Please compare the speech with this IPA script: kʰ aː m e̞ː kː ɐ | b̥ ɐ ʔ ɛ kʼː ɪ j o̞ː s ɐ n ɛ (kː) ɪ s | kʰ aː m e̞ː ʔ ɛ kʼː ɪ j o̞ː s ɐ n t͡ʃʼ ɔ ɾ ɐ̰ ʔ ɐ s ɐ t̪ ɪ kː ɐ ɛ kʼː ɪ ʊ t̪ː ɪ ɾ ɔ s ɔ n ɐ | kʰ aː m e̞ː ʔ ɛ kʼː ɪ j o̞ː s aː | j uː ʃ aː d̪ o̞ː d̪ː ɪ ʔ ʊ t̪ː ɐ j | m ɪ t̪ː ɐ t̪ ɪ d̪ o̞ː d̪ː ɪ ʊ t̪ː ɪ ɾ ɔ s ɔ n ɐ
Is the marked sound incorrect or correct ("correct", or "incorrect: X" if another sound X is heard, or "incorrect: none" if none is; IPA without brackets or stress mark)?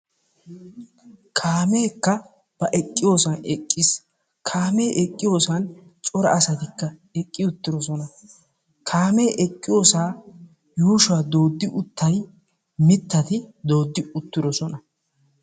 incorrect: kʼː